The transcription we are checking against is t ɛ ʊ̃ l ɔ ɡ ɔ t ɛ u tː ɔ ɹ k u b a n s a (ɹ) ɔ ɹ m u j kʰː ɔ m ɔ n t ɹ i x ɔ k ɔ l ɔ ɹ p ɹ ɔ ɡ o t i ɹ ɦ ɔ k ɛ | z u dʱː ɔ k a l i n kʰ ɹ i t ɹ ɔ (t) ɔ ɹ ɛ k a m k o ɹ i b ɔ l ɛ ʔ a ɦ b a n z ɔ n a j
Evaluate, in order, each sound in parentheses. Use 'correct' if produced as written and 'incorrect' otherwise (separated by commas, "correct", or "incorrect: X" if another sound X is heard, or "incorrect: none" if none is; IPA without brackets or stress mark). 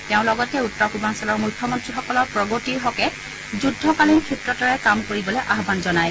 incorrect: l, correct